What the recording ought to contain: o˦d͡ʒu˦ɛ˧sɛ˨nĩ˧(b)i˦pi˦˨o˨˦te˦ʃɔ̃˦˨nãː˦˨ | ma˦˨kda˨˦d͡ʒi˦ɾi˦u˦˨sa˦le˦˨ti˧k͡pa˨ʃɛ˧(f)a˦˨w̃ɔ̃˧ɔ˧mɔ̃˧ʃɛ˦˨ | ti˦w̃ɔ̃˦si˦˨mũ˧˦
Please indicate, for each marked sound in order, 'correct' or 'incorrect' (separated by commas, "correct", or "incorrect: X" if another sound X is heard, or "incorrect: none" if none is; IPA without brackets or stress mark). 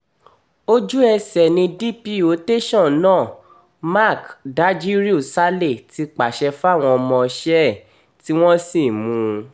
incorrect: d, correct